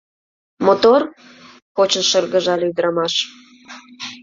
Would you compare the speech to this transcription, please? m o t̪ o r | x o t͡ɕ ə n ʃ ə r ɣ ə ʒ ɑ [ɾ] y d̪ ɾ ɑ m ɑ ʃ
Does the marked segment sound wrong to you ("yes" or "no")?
yes